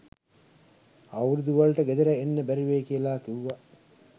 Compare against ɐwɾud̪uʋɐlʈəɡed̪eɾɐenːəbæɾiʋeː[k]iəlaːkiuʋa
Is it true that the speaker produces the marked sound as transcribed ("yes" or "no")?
yes